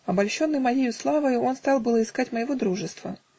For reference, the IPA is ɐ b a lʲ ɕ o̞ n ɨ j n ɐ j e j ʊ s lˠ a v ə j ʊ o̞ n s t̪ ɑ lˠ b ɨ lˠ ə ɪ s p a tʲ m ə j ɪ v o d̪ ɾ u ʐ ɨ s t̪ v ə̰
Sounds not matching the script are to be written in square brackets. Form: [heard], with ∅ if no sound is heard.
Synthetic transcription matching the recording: ɐ b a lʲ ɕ o̞ [nː] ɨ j [m] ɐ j e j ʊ s lˠ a v ə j ʊ o̞ n s t̪ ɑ lˠ b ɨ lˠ ə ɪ s [k] a tʲ m ə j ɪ v o d̪ ɾ u ʐ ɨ s t̪ v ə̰